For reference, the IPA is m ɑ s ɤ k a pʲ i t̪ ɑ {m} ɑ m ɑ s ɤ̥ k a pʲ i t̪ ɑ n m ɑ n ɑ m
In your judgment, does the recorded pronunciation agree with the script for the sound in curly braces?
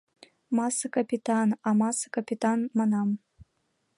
no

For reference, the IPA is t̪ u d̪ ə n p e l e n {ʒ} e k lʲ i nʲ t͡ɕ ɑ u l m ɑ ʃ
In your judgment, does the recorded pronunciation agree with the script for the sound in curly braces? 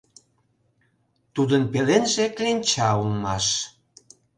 yes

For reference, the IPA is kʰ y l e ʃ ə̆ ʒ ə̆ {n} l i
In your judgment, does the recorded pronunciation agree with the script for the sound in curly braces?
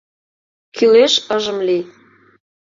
no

